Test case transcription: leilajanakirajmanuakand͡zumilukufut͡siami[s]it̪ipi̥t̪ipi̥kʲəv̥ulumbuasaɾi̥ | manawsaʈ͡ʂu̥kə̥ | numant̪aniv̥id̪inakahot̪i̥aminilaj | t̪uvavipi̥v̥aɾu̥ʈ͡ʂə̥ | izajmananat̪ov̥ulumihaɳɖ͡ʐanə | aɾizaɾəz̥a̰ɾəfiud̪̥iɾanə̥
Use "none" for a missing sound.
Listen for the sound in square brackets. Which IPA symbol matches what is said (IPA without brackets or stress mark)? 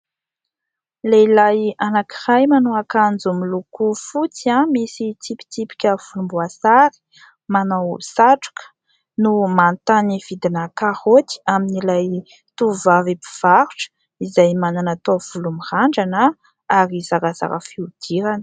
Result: s